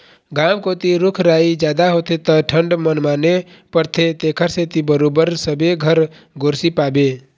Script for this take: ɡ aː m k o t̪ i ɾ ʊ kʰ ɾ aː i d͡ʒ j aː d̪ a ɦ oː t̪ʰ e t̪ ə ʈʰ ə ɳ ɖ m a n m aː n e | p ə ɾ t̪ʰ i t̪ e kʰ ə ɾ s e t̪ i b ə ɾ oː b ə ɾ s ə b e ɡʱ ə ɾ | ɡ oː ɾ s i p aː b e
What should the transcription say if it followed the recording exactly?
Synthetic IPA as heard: ɡ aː m k o t̪ i ɾ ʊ kʰ ɾ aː i d͡ʒ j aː d̪ a ɦ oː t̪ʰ e t̪ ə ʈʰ ə ɳ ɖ m ə n m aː n e | p ə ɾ t̪ʰ e t̪ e kʰ ə ɾ s e t̪ i b ə ɾ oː b ə ɾ s ə b e ɡʱ ə ɾ | ɡ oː ɾ s i p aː b e